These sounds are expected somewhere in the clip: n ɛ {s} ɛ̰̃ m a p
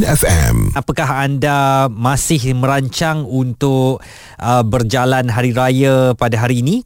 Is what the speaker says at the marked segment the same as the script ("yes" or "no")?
no